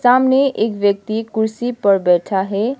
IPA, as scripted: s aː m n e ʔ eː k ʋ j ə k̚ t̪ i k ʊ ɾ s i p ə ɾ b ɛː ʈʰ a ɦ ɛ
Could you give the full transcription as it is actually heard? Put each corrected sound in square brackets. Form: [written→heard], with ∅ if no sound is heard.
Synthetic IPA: s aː m n e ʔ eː k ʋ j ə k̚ t̪ i k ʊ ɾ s i p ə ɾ b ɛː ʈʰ a ɦ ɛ